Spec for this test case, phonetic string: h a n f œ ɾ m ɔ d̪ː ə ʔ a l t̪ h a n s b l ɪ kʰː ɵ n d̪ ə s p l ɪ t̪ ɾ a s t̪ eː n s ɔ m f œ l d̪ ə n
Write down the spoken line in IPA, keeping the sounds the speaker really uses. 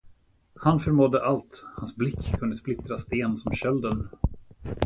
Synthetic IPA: h a n f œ ɾ m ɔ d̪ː ə ʔ a l t̪ h a n s b l ɪ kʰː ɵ n d̪ ə s p l ɪ t̪ ɾ a s t̪ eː n s ɔ m ɕ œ l d̪ ə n